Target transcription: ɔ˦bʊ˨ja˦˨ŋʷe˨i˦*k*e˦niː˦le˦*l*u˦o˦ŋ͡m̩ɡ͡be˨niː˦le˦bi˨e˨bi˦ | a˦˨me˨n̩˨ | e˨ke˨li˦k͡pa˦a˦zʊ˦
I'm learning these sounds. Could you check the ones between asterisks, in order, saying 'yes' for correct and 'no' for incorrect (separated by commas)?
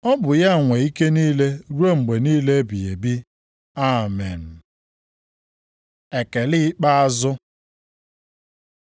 yes, no